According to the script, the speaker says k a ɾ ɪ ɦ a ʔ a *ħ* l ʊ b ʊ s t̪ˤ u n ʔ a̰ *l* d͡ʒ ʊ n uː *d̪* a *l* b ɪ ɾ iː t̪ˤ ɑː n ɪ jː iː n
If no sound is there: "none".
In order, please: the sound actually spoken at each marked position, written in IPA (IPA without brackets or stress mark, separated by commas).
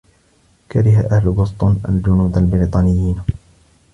h, l, d̪, l